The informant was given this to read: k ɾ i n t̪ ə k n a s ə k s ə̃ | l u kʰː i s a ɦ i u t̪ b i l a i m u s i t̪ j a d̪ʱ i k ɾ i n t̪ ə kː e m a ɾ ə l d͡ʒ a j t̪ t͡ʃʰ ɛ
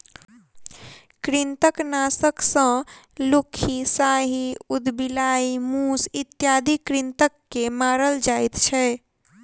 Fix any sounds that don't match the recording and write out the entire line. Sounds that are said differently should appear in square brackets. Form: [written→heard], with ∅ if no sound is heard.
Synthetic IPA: k ɾ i n t̪ ə k n a s ə k s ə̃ | l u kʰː i s a ɦ i u [t̪→d̪] b i l a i m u s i t̪ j a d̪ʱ i k ɾ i n t̪ ə kː e m a ɾ ə l d͡ʒ a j t̪ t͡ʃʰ ɛ